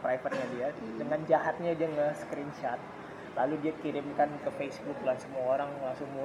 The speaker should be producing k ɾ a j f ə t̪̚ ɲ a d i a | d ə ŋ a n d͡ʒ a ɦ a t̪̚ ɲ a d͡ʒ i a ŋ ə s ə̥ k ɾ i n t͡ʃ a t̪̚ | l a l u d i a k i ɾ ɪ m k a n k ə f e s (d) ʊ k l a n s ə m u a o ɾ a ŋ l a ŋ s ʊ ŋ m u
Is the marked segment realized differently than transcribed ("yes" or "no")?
yes